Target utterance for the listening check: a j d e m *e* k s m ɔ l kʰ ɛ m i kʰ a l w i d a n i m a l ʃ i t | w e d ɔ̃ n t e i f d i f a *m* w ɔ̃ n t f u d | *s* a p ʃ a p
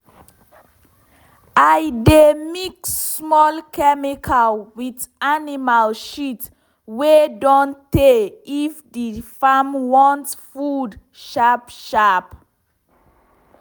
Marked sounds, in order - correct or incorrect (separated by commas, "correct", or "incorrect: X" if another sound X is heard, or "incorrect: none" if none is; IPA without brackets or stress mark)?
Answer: incorrect: i, correct, incorrect: ʃ